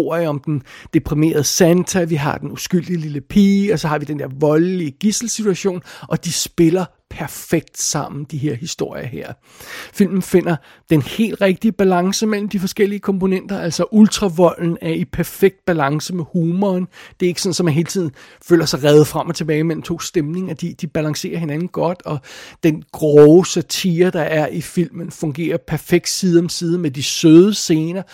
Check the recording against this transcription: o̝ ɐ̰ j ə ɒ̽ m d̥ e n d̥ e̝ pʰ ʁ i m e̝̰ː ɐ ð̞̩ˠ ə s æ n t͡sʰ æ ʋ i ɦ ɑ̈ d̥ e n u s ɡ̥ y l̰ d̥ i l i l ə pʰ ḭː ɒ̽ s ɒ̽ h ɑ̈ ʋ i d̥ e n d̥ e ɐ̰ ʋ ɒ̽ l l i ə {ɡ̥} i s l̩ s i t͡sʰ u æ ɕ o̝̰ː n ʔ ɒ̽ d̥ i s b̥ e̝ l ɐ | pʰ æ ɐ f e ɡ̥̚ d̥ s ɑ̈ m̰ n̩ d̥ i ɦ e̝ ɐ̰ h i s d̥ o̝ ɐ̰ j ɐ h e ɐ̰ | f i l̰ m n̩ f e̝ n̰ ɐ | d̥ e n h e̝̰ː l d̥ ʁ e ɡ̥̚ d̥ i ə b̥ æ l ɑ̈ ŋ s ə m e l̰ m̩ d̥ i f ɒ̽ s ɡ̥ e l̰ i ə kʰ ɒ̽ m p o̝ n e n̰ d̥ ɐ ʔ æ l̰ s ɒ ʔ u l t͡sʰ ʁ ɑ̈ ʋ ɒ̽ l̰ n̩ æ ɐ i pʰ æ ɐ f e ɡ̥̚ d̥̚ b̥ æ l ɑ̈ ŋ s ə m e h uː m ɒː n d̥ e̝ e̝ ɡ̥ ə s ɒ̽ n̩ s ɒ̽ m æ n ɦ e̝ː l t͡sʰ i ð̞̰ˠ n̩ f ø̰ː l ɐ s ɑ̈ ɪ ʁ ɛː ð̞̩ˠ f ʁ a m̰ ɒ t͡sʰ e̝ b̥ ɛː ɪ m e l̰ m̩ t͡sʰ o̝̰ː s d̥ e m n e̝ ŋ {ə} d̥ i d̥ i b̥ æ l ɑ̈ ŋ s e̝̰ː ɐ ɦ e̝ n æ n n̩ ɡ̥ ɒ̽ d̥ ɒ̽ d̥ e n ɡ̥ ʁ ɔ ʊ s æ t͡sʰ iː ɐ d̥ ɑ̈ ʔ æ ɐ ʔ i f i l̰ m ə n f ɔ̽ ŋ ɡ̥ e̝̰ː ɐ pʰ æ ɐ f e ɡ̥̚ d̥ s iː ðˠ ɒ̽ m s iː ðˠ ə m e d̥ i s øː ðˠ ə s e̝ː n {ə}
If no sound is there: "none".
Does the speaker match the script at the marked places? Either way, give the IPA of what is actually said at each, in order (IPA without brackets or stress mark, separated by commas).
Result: ɡ̥, ɐ, ɐ